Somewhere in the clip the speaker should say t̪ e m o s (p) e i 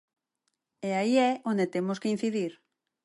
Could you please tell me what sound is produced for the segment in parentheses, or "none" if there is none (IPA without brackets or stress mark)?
k